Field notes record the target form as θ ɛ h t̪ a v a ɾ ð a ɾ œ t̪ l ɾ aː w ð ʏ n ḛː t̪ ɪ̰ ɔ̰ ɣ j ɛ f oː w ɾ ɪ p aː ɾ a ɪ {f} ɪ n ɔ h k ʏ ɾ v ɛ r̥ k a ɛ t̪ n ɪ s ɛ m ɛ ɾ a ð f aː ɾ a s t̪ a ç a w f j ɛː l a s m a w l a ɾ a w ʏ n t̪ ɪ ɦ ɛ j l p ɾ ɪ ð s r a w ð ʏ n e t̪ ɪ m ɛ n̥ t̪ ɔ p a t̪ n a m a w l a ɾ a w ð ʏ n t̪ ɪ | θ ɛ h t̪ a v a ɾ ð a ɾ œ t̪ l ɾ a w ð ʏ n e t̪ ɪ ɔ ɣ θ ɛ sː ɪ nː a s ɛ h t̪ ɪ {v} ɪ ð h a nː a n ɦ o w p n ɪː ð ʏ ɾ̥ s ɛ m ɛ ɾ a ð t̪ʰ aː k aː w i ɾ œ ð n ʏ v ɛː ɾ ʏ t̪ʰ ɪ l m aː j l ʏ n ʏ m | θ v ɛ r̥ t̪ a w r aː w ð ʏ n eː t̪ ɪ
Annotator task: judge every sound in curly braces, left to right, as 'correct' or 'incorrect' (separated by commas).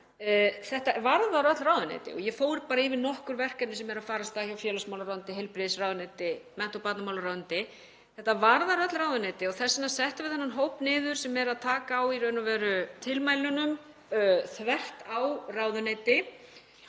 incorrect, correct